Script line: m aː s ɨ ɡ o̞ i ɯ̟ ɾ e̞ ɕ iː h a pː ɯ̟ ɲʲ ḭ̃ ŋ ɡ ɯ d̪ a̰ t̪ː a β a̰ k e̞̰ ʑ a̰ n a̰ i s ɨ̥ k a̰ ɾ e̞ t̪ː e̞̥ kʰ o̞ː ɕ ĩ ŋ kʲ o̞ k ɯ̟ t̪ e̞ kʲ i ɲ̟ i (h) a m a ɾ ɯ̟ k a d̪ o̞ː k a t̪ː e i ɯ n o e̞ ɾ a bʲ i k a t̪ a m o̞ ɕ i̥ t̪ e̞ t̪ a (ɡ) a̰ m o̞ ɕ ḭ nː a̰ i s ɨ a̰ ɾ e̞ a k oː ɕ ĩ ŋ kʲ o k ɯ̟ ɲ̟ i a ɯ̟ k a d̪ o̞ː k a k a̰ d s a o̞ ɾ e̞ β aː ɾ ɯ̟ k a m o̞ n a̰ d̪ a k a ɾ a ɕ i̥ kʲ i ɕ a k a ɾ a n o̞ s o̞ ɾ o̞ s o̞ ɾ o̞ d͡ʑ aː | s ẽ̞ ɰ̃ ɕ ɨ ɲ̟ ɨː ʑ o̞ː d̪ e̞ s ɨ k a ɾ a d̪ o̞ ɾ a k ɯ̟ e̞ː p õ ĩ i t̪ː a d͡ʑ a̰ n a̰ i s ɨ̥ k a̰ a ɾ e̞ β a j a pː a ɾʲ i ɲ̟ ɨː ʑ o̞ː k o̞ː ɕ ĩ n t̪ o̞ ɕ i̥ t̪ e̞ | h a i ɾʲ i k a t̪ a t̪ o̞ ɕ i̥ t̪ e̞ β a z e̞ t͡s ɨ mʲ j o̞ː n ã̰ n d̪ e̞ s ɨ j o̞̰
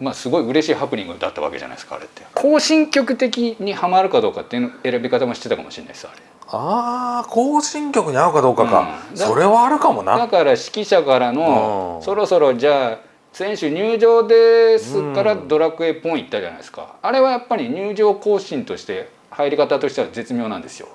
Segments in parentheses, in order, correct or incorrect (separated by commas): correct, incorrect